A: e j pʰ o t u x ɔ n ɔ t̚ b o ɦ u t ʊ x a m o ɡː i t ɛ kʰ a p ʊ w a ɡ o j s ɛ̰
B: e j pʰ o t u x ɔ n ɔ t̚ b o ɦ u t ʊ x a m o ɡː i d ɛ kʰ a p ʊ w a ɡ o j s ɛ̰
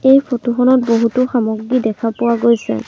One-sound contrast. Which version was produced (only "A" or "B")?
B